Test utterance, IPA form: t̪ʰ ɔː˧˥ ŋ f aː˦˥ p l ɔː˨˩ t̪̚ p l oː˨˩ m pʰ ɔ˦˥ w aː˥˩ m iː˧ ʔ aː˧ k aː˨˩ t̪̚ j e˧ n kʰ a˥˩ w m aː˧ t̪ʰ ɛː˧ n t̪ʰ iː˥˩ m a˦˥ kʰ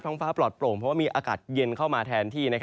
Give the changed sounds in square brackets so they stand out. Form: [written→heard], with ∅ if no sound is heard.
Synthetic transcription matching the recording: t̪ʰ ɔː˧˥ ŋ f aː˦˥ p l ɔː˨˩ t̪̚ p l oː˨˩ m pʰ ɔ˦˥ w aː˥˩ m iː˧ ʔ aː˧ k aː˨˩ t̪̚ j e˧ n kʰ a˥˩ w m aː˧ t̪ʰ ɛː˧ n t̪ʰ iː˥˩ [m→n] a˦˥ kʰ